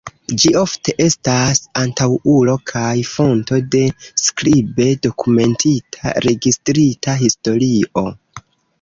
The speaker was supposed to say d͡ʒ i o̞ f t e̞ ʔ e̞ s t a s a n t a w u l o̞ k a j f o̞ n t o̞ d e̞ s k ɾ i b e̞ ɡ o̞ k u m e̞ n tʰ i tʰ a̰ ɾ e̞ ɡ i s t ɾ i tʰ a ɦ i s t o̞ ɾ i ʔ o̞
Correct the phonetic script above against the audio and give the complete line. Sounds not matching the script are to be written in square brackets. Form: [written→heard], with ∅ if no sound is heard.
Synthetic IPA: d͡ʒ i o̞ f t e̞ ʔ e̞ s t a s a n t a w u l o̞ [k→kʰ] a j f o̞ n t o̞ d e̞ s k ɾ i b e̞ [ɡ→d] o̞ k u m e̞ n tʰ i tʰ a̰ ɾ e̞ ɡ i s t ɾ i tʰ a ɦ i s t o̞ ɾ i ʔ o̞